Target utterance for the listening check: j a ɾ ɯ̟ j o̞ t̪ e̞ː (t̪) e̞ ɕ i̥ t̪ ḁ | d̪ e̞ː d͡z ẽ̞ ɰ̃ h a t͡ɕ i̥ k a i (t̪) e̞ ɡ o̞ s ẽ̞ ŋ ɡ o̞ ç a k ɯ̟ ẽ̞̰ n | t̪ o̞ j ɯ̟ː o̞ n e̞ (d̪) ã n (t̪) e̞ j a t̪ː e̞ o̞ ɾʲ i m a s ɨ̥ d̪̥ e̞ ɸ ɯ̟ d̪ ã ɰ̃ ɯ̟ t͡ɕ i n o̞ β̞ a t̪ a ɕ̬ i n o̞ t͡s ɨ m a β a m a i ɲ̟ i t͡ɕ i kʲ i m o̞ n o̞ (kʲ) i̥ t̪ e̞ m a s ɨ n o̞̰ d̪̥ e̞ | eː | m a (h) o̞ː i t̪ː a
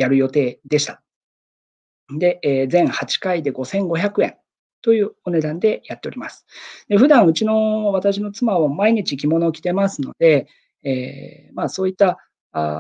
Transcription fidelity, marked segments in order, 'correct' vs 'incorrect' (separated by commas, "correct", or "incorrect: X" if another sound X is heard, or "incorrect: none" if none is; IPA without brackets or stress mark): incorrect: d̪, incorrect: d̪, correct, incorrect: d̪, correct, incorrect: s